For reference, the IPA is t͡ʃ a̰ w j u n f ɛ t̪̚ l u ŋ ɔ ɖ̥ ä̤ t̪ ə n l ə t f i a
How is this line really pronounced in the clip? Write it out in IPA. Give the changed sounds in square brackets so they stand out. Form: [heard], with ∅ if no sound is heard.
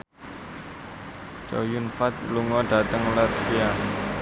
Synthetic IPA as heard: t͡ʃ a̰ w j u n f [a] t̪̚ l u ŋ ɔ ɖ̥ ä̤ t̪ ə [ŋ] l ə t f i a